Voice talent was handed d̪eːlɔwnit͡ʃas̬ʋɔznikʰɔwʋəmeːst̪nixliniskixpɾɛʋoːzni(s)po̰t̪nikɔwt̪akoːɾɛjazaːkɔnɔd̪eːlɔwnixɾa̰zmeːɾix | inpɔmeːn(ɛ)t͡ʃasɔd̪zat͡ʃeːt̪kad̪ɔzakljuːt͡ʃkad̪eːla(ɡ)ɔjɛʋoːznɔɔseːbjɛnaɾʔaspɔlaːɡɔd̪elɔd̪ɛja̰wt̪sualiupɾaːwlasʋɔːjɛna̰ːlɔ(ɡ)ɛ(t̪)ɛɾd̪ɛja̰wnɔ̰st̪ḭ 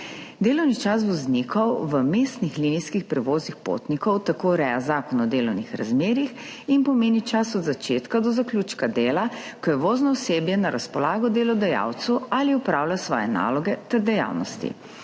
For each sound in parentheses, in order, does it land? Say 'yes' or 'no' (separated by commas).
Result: no, no, no, yes, yes